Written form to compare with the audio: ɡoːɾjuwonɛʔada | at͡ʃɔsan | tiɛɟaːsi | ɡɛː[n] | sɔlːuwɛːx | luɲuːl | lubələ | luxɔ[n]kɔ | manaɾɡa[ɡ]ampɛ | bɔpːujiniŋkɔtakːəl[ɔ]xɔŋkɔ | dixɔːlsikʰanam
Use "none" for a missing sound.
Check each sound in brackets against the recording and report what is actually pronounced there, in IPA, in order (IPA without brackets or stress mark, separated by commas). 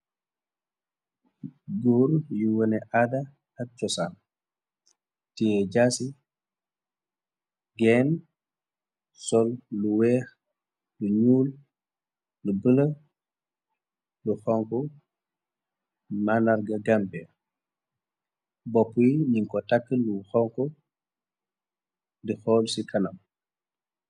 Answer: n, ŋ, ɡ, u